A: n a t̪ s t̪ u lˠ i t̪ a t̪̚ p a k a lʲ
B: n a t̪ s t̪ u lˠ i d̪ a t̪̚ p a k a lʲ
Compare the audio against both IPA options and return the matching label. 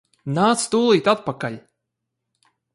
A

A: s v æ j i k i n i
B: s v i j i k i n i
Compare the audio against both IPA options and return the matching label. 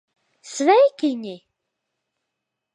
A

